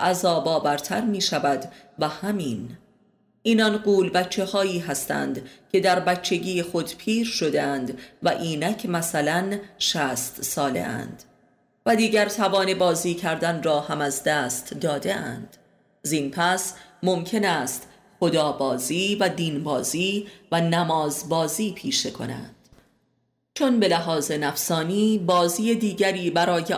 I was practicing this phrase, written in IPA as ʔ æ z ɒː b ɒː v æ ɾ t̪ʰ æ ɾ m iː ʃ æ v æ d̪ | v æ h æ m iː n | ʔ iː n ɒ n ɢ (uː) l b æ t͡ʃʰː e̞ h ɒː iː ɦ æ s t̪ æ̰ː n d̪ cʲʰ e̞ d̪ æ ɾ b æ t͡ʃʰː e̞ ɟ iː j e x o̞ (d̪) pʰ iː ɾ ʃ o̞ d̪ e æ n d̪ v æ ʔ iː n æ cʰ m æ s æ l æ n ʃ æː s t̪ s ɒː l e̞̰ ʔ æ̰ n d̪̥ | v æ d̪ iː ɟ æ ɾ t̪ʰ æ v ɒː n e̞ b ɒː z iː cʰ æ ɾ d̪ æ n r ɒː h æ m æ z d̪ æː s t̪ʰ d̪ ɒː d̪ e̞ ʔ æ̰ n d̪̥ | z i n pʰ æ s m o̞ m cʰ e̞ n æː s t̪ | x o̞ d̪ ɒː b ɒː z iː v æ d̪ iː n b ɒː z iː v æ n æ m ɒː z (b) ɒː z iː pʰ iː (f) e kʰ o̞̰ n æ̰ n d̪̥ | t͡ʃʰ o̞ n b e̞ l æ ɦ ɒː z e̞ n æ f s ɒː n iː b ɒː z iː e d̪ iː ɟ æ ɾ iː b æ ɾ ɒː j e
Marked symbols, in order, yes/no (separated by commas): yes, yes, yes, no